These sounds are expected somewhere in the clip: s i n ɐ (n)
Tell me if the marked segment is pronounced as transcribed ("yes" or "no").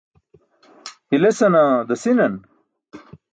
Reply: yes